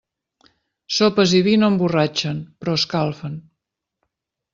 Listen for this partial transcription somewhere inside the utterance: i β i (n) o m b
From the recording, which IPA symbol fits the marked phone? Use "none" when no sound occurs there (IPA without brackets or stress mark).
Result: n